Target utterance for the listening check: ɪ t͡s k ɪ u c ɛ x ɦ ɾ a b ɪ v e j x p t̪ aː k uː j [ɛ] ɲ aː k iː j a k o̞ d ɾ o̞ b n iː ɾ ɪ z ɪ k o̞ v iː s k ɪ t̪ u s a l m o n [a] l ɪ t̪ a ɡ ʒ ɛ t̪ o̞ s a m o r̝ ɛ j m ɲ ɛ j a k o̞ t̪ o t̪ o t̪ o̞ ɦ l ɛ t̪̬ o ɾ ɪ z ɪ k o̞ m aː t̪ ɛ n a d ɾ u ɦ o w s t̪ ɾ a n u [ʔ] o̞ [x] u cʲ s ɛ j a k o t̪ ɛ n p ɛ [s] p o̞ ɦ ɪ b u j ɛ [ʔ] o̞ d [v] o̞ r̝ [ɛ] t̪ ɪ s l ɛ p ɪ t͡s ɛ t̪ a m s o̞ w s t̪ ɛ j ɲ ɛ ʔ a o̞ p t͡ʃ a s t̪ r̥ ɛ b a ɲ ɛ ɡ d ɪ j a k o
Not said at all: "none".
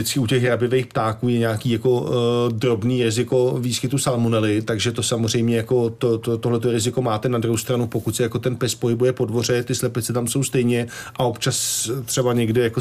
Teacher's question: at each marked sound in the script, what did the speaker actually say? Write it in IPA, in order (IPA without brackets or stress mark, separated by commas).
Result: ɛ, ɛ, p, k, s, p, v, ɛ